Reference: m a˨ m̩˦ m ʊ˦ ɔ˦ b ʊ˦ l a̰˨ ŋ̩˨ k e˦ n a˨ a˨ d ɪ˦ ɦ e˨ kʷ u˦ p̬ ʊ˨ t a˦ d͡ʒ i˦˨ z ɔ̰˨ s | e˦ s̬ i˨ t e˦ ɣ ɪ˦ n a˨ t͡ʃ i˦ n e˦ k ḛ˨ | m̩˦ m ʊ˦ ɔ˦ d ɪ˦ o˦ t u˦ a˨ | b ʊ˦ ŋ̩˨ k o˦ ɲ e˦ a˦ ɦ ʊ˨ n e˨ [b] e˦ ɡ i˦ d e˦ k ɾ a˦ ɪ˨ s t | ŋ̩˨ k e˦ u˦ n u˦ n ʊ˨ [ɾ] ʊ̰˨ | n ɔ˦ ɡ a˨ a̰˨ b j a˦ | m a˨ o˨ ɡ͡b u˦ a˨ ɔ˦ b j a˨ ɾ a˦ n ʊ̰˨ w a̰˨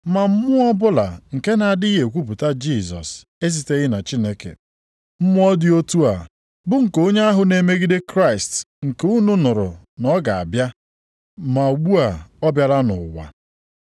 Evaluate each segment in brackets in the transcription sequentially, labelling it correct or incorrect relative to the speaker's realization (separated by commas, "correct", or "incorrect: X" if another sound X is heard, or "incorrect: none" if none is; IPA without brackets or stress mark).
incorrect: m, correct